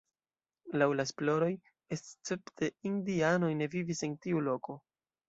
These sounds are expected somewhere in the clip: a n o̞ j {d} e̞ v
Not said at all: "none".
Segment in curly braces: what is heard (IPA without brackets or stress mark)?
n